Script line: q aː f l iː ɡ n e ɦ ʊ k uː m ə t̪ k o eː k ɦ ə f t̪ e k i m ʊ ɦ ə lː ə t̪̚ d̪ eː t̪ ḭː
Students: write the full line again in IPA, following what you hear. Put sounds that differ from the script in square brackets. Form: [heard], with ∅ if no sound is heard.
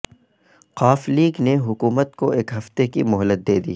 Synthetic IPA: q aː f l iː ɡ n e ɦ ʊ k uː m ə t̪ k o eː k ɦ [ɐ] f t̪ e k i m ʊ ɦ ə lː ə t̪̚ d̪ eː [d̪] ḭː